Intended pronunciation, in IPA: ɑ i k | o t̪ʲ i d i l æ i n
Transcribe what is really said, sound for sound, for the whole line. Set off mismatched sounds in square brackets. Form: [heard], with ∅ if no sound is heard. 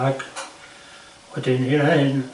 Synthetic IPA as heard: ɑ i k | o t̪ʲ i [n] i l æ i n